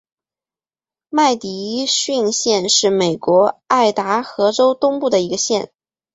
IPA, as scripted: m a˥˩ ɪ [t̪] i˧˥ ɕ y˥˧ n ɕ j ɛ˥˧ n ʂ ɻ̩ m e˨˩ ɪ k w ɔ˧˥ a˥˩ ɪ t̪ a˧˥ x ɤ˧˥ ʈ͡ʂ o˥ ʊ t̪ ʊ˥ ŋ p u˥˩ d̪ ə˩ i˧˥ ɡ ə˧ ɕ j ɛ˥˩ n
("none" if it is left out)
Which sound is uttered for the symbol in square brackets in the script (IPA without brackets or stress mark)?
t̪